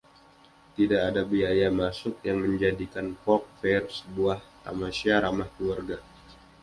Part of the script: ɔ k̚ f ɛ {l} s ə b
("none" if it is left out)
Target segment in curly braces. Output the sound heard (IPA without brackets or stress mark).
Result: r